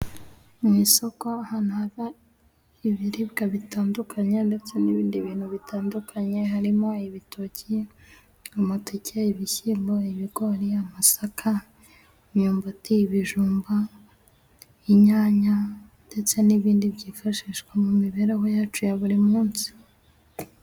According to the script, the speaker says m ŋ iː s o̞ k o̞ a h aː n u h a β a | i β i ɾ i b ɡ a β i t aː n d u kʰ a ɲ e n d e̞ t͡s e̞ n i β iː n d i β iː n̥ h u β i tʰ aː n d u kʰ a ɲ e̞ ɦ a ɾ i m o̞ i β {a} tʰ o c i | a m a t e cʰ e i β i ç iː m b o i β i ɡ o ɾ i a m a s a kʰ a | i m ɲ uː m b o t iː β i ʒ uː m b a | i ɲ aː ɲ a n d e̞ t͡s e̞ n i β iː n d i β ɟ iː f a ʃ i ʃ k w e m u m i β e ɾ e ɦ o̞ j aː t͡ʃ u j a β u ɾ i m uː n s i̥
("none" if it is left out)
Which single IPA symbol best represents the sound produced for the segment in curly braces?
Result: i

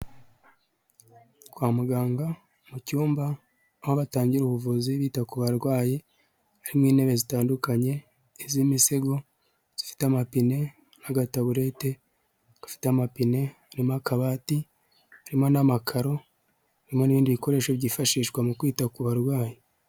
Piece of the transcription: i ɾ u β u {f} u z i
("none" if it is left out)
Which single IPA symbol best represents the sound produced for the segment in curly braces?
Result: v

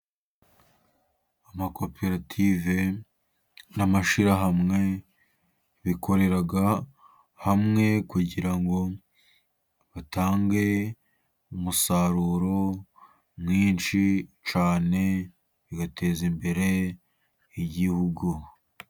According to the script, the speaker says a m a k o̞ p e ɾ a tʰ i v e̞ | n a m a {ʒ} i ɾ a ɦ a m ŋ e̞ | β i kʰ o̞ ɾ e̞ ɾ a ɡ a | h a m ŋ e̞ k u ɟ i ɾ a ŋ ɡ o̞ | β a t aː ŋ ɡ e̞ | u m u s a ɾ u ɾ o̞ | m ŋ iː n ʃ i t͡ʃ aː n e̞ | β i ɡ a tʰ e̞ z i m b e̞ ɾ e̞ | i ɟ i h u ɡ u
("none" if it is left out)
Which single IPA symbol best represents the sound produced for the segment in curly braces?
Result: ʃ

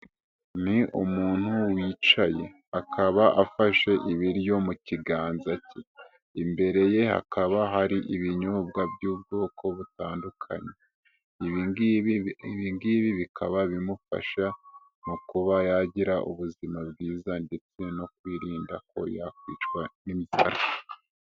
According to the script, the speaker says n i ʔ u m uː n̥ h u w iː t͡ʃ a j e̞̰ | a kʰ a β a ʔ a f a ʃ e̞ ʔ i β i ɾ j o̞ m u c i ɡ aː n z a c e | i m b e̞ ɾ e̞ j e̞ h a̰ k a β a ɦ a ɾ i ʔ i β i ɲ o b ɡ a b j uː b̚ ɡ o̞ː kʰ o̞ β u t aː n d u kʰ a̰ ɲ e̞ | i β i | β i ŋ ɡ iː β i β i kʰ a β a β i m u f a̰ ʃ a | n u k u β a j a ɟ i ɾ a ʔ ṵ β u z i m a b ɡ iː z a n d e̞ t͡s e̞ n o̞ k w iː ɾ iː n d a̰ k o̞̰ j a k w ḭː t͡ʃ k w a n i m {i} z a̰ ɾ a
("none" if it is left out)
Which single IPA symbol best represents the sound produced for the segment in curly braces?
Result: i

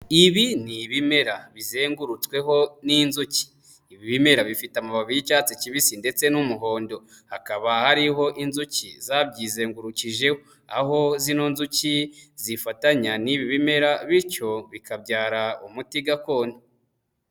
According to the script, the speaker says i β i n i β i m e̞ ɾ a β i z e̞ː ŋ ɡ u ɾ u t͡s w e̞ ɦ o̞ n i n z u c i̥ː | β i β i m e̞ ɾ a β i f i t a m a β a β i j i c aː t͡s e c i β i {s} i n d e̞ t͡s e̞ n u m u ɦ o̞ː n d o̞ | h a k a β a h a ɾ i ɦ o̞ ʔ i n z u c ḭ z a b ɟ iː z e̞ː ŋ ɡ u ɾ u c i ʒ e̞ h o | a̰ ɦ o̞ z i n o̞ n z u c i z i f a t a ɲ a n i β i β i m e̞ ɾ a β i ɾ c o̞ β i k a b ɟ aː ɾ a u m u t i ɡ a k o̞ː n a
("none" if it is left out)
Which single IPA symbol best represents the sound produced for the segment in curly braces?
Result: s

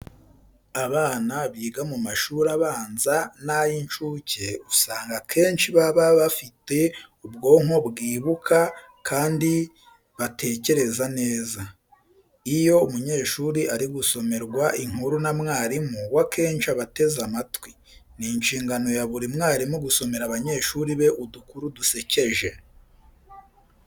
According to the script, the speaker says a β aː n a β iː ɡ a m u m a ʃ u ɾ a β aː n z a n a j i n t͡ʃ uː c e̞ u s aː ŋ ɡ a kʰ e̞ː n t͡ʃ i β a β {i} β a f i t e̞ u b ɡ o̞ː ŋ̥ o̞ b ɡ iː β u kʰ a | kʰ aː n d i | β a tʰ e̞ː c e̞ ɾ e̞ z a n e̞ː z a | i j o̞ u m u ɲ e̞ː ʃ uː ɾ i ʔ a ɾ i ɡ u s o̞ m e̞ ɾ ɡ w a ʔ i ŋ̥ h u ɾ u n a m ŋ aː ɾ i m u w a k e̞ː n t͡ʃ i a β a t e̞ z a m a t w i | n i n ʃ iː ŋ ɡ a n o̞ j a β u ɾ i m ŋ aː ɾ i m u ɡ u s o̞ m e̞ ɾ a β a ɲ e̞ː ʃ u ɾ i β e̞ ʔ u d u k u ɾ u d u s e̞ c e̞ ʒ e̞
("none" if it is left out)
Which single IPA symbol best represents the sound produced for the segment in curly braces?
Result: a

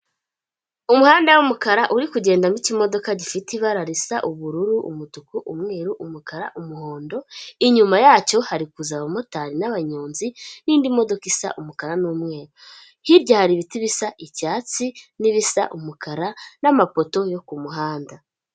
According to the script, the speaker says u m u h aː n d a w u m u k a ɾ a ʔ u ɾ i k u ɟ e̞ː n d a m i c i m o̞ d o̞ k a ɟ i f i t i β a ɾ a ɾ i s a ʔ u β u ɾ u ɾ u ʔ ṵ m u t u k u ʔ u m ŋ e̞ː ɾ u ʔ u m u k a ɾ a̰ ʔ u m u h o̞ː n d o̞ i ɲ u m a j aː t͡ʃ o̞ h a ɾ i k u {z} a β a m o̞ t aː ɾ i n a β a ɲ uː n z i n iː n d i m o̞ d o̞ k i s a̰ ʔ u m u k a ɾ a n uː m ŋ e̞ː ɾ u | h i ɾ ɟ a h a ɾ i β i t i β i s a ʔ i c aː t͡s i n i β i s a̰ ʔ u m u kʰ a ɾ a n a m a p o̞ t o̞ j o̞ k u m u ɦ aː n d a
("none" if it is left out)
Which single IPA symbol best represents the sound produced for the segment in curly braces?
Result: z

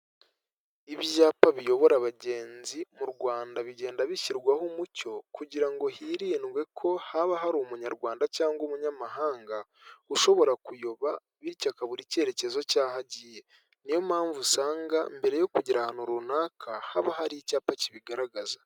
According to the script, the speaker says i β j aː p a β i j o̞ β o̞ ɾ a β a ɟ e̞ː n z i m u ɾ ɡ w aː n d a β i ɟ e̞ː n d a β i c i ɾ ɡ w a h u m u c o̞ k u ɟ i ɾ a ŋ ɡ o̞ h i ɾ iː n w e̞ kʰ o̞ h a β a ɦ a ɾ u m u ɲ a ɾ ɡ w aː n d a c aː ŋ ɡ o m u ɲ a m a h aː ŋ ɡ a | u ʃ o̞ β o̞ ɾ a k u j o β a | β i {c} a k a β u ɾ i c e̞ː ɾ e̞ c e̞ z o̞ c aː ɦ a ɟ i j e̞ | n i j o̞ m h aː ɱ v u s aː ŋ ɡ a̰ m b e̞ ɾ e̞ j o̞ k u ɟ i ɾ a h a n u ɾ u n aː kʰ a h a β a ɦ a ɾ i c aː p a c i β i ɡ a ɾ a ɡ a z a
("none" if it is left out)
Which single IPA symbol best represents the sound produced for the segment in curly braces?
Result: c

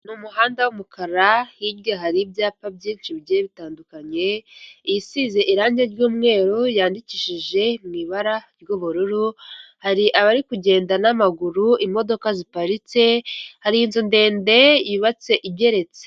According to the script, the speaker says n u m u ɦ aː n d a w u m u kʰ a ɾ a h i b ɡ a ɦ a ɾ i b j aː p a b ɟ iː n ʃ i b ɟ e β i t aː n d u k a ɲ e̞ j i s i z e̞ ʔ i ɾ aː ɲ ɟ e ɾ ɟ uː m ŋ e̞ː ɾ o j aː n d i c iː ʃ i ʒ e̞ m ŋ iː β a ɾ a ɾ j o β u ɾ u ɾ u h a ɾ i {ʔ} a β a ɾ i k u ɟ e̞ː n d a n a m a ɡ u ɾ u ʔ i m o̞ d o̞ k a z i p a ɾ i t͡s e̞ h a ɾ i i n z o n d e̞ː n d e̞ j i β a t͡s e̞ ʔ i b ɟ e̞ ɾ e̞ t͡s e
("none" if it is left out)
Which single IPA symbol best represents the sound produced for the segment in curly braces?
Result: ʔ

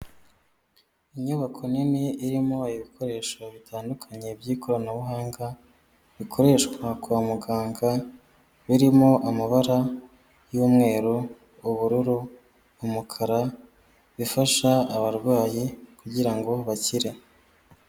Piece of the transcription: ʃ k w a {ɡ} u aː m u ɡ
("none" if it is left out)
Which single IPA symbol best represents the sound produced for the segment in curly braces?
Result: k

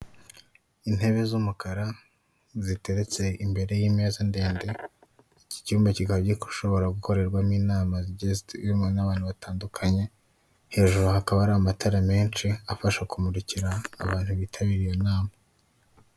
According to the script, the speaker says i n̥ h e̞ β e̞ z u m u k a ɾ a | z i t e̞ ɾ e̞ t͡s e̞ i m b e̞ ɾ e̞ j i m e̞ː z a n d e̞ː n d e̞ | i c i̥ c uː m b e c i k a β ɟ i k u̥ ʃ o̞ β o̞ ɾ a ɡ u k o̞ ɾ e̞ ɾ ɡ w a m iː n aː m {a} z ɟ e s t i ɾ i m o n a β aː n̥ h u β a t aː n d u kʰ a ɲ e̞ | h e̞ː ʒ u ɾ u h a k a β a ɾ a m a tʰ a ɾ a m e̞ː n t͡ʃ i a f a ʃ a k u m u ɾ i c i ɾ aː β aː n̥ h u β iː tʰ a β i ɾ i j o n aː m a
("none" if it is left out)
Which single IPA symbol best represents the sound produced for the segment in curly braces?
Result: a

